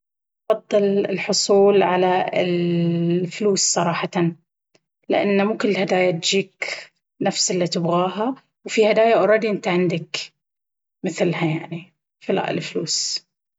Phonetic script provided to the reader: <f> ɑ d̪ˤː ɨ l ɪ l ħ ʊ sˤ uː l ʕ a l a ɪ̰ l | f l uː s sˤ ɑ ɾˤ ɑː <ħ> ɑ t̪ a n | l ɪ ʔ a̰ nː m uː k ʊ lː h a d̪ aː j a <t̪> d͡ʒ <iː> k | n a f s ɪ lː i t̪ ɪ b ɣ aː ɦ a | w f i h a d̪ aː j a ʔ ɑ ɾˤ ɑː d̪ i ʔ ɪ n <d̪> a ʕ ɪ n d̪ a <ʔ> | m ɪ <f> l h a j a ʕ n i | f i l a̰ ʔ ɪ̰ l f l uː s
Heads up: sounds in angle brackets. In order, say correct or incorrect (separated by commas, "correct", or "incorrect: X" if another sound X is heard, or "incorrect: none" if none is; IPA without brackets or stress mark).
correct, correct, correct, correct, incorrect: t̪, incorrect: k, incorrect: θ